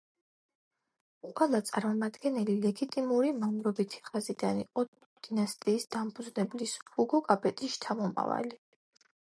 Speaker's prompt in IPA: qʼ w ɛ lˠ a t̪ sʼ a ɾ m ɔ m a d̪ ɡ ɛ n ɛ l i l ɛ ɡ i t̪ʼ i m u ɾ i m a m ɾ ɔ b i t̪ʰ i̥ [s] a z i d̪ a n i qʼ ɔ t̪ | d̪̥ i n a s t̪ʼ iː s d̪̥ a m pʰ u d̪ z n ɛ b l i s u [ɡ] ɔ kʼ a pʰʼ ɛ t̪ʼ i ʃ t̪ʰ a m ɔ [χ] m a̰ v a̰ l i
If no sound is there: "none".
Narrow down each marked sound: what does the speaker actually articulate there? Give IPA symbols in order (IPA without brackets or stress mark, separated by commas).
χ, ɡ, none